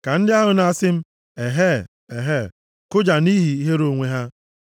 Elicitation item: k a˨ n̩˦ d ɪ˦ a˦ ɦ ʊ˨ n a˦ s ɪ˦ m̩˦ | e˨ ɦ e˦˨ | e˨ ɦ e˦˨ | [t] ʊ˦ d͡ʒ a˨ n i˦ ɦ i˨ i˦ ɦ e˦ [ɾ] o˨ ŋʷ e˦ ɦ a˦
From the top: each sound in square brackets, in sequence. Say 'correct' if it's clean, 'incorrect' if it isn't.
incorrect: k, correct

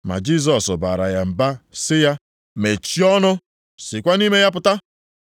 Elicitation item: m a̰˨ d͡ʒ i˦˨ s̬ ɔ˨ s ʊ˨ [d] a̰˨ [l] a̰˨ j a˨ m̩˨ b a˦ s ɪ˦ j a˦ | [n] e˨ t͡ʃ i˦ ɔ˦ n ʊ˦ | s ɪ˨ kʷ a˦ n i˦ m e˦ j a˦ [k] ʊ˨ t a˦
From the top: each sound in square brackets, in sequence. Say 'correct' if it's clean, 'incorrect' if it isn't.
incorrect: b, incorrect: ɾ, incorrect: m, incorrect: p

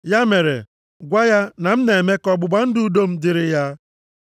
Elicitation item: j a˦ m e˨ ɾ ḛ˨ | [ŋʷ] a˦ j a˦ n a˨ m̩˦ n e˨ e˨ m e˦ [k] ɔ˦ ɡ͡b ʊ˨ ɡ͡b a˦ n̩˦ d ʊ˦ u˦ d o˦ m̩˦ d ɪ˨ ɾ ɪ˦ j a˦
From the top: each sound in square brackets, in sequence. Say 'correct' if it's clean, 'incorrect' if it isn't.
incorrect: ɡʷ, correct

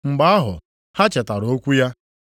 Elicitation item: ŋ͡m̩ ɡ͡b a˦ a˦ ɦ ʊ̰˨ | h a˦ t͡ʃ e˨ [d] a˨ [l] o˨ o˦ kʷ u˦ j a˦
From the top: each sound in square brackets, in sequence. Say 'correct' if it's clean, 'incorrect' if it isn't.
incorrect: t, incorrect: ɾ

